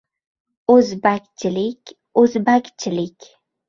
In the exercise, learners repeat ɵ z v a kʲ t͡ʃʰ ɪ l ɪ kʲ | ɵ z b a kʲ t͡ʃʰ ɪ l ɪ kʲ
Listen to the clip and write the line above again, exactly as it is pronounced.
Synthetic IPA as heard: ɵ z b a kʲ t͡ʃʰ ɪ l ɪ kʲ | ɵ z b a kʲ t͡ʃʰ ɪ l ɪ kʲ